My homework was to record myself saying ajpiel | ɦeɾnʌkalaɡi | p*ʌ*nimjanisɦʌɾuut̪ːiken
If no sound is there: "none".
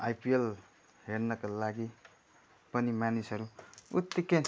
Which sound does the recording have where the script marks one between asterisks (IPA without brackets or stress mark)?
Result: ʌ